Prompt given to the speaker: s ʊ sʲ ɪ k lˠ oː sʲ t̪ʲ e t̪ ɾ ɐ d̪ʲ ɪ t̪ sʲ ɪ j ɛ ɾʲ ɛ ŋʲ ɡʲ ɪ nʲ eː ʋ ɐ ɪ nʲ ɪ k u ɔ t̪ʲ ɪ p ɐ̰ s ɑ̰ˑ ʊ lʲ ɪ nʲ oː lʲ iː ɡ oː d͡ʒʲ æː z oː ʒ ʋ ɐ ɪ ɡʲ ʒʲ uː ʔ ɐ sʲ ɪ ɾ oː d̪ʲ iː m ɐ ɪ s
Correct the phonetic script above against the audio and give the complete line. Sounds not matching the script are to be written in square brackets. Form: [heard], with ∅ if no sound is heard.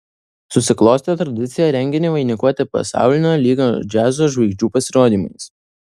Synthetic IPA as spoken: s ʊ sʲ ɪ k lˠ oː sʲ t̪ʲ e t̪ ɾ ɐ d̪ʲ ɪ t̪ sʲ ɪ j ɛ ɾʲ ɛ ŋʲ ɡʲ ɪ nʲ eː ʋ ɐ ɪ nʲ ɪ k u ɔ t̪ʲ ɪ p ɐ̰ s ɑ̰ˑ ʊ lʲ ɪ nʲ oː lʲ iː ɡ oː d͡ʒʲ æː z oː ʒ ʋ ɐ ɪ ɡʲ [d͡ʒʲ] uː [p] ɐ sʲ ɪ ɾ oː d̪ʲ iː m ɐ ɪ s